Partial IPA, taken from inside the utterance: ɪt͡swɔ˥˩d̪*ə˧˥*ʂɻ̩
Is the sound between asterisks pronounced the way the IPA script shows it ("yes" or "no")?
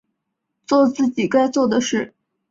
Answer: no